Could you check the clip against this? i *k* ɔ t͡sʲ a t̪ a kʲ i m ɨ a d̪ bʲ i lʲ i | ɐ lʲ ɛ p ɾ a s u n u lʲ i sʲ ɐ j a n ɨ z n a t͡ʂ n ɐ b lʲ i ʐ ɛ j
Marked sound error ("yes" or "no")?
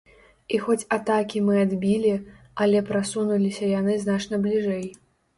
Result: yes